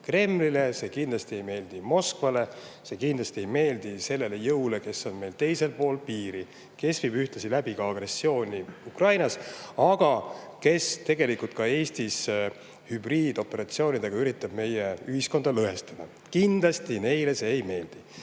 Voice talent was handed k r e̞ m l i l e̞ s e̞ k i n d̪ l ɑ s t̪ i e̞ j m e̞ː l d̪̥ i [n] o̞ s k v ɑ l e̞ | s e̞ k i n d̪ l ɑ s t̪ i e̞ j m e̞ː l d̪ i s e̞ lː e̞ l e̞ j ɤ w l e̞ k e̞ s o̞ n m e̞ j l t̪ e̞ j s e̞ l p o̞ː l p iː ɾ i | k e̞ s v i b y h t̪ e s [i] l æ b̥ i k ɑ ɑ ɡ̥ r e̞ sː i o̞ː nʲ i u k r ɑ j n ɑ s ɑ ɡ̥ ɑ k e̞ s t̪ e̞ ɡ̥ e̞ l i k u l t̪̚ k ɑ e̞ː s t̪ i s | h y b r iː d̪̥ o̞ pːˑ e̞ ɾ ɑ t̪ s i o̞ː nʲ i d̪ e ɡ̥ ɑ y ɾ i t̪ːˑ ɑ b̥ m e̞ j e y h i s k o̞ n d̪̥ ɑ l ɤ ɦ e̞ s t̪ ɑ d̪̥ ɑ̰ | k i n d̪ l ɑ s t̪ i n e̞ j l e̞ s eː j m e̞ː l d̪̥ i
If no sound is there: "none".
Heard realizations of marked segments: m, i

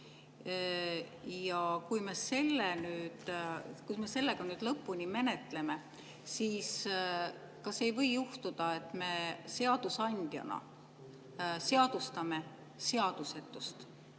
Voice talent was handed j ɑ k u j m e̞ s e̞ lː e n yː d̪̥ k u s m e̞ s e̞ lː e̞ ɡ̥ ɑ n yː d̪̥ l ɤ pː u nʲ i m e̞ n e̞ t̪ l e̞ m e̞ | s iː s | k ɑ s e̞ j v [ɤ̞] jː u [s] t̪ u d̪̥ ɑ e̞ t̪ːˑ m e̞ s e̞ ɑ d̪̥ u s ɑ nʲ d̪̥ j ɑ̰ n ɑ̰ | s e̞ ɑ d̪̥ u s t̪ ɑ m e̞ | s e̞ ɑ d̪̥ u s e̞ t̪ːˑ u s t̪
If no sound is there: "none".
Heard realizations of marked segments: ɤ̞, h

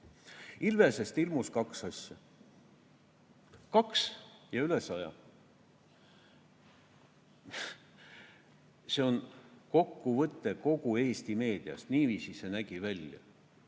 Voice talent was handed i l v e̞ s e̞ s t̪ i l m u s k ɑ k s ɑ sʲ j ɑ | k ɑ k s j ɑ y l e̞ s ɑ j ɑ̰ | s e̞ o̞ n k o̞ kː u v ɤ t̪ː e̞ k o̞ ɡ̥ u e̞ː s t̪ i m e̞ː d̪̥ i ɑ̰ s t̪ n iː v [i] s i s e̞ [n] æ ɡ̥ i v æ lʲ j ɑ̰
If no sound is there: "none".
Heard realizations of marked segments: iː, n

